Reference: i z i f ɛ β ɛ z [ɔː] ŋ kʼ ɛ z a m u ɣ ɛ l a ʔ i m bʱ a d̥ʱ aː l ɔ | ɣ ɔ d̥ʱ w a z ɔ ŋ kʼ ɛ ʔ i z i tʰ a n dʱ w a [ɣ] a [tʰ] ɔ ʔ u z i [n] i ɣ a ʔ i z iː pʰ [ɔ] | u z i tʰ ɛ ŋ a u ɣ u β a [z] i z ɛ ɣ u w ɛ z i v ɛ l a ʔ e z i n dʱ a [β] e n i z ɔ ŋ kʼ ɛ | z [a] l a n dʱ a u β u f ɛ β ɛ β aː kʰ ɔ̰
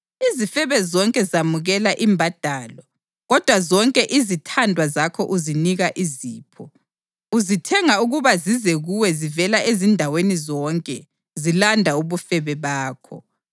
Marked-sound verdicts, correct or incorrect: incorrect, incorrect, incorrect, correct, correct, correct, incorrect, incorrect

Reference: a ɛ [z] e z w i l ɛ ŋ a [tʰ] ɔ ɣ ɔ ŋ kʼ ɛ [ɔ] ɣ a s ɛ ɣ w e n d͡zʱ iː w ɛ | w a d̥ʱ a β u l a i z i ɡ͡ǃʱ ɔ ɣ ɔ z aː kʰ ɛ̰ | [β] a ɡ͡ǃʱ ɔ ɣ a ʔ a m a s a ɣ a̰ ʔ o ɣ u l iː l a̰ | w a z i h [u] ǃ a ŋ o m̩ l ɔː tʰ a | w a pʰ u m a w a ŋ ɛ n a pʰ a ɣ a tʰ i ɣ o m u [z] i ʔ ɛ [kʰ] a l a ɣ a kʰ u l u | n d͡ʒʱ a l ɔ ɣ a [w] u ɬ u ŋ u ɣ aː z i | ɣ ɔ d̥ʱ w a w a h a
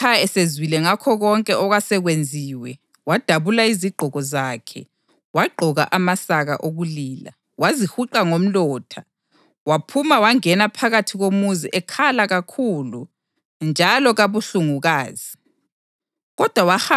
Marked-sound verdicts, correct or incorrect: incorrect, incorrect, correct, incorrect, correct, correct, correct, incorrect

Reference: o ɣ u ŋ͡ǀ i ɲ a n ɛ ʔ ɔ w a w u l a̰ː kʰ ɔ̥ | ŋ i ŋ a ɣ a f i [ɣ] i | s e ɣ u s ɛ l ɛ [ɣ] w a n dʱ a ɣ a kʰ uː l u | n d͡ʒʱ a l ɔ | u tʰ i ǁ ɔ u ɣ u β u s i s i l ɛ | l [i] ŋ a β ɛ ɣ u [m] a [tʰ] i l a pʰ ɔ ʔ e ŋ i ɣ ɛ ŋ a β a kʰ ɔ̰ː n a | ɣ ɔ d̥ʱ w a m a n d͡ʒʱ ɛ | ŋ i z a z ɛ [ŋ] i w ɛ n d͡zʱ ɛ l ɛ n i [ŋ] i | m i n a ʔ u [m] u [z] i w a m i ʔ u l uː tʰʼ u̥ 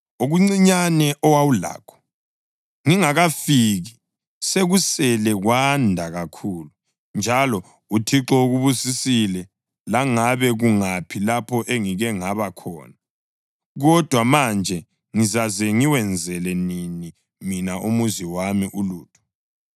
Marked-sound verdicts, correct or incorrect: correct, correct, incorrect, incorrect, incorrect, correct, incorrect, correct, correct

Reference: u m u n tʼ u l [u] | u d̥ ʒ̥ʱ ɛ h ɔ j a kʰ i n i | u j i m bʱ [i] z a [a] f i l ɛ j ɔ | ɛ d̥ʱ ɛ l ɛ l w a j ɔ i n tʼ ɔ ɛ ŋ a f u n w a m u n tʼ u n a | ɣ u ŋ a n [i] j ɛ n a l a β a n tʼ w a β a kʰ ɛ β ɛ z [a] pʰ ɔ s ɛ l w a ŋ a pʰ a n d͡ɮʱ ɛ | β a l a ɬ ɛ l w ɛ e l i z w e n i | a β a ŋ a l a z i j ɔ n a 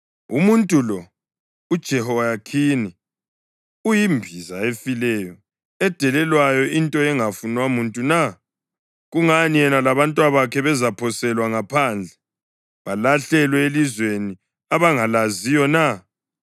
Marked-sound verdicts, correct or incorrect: incorrect, correct, incorrect, correct, correct

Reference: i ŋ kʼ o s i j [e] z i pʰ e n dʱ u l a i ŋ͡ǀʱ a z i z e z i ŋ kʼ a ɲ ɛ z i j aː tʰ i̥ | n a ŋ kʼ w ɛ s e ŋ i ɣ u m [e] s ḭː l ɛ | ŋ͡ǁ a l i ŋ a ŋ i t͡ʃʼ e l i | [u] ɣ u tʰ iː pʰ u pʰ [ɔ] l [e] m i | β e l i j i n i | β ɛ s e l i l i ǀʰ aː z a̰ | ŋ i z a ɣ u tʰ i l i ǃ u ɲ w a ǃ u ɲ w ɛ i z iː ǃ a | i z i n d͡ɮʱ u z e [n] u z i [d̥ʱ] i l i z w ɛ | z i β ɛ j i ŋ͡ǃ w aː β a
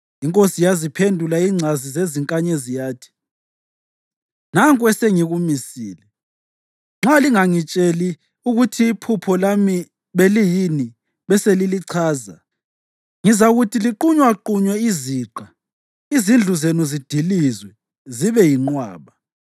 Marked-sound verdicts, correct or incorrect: incorrect, incorrect, correct, correct, incorrect, correct, correct

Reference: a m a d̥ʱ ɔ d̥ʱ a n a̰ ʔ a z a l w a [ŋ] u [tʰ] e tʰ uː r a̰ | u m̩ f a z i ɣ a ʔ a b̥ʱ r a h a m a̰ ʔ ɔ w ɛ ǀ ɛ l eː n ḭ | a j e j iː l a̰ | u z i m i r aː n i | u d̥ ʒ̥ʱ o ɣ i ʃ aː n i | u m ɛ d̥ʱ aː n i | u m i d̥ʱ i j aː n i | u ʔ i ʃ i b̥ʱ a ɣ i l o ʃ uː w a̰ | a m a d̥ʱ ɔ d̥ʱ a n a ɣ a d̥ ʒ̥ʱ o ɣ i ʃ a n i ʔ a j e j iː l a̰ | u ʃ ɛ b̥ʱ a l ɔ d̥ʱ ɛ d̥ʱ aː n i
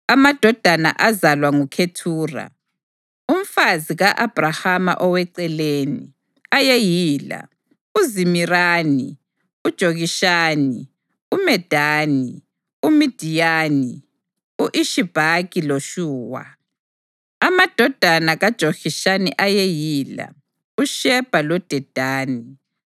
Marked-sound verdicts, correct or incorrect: correct, incorrect

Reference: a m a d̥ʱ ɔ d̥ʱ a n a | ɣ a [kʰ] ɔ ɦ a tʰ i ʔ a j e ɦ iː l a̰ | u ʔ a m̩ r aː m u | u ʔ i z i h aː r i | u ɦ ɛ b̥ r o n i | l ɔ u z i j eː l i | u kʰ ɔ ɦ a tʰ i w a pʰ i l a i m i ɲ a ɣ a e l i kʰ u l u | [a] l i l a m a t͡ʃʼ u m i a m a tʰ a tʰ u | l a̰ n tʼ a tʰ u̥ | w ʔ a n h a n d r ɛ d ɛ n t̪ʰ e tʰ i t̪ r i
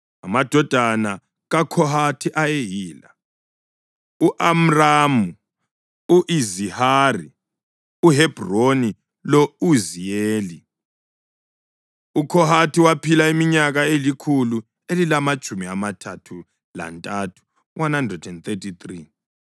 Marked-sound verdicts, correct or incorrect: correct, incorrect

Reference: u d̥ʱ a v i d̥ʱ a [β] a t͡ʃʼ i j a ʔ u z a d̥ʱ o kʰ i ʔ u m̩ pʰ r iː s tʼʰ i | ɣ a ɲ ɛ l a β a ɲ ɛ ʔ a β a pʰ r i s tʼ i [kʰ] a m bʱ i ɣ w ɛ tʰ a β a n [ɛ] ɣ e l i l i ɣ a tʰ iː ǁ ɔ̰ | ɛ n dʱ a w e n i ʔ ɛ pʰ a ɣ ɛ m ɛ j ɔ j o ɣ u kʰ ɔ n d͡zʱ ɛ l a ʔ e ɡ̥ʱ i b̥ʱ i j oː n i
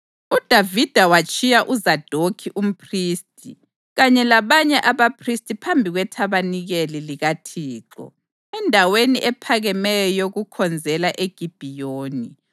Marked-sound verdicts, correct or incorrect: incorrect, incorrect, incorrect

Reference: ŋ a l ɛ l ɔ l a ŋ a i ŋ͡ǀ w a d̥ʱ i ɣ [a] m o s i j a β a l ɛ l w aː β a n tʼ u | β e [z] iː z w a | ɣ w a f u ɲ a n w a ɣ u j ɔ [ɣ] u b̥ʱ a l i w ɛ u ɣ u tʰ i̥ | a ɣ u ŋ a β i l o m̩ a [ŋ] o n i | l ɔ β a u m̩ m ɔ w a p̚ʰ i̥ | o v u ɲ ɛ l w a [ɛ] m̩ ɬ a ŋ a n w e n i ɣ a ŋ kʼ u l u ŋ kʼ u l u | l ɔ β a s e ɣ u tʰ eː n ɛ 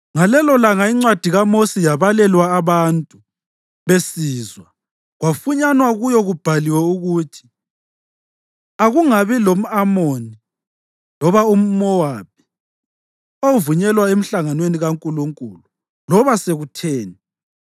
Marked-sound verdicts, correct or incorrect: correct, incorrect, correct, incorrect, incorrect

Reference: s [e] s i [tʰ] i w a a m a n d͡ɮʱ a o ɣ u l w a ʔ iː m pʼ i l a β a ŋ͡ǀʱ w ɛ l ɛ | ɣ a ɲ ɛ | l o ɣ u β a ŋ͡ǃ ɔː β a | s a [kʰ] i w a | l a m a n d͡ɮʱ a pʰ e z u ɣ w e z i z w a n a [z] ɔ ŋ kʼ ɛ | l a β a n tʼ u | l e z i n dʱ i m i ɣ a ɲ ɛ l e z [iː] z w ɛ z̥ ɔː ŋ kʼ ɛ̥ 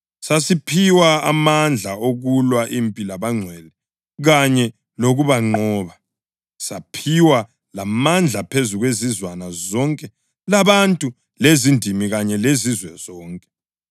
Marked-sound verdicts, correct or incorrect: incorrect, incorrect, incorrect, correct, incorrect

